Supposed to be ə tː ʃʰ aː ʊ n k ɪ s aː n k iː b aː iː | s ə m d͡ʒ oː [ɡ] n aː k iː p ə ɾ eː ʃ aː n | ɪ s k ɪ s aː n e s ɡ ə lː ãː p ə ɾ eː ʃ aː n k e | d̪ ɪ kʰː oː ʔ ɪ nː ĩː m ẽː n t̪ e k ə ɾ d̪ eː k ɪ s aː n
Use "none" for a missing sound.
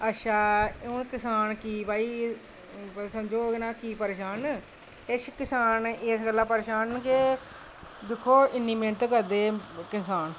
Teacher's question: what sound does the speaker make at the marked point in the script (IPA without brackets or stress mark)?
ɡ